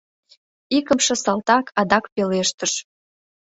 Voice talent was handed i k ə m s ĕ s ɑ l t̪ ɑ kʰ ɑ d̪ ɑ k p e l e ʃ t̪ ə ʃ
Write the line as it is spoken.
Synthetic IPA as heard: i k ə m ʃ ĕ s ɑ l t̪ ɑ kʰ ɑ d̪ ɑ k p e l e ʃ t̪ ə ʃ